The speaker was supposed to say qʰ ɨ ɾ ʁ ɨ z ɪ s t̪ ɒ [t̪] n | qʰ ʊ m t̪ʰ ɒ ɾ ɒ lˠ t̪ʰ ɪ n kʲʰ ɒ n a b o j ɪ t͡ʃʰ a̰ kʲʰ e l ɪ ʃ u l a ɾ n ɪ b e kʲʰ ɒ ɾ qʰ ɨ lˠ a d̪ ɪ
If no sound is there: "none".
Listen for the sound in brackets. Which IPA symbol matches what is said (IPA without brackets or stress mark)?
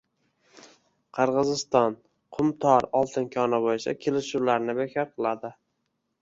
none